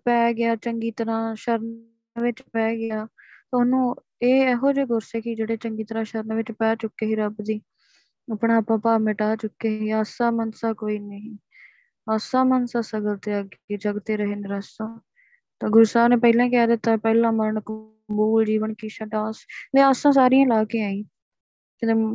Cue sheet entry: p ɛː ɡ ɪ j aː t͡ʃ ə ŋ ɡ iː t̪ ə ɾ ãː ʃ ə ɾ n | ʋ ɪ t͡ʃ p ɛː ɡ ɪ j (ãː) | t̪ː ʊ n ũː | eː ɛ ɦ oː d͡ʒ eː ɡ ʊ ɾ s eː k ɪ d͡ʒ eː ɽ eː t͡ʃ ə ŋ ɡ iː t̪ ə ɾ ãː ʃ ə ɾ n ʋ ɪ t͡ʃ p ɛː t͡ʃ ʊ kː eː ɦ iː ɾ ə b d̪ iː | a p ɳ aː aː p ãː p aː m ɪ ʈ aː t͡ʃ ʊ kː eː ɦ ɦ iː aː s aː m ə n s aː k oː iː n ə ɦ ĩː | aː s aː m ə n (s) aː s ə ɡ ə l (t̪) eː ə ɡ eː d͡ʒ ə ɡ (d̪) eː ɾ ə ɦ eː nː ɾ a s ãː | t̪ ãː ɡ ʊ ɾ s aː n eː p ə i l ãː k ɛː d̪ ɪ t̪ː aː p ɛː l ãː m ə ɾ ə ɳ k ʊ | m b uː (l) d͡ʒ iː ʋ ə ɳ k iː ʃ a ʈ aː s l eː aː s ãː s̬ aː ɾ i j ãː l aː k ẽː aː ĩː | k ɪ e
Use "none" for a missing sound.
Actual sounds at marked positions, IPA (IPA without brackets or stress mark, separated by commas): aː, s, t̪, t̪, l